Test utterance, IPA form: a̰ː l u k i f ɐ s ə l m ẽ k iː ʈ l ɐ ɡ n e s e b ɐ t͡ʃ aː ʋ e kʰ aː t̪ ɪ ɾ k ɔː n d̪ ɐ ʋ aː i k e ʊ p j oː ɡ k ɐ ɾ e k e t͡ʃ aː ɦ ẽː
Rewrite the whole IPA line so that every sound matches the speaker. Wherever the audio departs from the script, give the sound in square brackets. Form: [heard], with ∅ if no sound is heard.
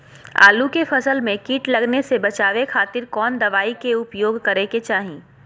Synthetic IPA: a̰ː l u k [e] f ɐ s ə l m ẽ k iː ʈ l ɐ ɡ n e s e b ɐ t͡ʃ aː ʋ e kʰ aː t̪ ɪ ɾ k ɔː n d̪ ɐ ʋ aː i k e ʊ p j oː ɡ k ɐ ɾ e k e t͡ʃ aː ɦ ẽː